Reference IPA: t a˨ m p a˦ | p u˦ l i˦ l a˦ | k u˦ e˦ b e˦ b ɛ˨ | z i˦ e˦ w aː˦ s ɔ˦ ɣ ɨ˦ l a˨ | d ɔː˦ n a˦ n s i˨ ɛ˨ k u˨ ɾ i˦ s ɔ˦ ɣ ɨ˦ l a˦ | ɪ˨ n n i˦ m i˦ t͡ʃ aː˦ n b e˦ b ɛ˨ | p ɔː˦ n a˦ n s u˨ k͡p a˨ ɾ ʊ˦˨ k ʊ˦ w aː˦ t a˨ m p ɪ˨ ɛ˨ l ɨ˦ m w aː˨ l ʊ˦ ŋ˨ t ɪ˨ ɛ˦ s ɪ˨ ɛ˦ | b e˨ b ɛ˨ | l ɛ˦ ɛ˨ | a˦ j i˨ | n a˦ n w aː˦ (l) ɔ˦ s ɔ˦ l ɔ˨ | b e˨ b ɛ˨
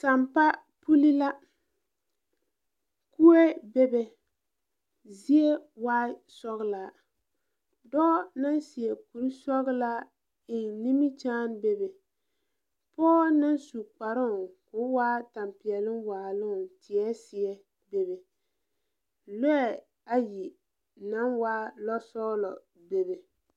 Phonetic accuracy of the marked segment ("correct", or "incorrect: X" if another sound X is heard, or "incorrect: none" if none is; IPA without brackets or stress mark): correct